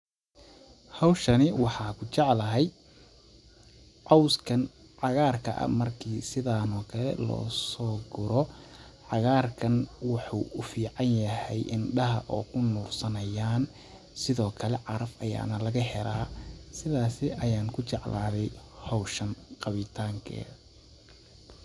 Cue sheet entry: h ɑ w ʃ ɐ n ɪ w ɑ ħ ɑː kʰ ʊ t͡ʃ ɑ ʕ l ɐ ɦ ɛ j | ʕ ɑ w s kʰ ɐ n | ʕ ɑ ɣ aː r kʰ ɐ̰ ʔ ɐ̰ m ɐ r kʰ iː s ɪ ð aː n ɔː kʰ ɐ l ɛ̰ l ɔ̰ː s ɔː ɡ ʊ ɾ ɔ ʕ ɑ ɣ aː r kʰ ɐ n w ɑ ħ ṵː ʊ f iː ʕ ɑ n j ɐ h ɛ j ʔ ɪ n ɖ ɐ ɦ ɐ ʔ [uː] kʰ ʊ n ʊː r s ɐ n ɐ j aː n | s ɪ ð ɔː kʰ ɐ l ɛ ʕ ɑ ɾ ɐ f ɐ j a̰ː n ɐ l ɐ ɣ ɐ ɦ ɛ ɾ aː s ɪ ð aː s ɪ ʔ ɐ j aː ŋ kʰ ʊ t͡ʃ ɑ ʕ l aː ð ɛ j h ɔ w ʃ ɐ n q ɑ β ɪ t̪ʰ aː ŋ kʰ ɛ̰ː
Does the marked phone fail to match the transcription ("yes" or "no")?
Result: yes